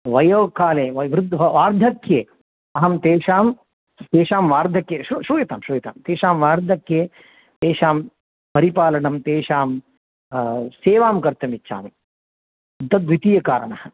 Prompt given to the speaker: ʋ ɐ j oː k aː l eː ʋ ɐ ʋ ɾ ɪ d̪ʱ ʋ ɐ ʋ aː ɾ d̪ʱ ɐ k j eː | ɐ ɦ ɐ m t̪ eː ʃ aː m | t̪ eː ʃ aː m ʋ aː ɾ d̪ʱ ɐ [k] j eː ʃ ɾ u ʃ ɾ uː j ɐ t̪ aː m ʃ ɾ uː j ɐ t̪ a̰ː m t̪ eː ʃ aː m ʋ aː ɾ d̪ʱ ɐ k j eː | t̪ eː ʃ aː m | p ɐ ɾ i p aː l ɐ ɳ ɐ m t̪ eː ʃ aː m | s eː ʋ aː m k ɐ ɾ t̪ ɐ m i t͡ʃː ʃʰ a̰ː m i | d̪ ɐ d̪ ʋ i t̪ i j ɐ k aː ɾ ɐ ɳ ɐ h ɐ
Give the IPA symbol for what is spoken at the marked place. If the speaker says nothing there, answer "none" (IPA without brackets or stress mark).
k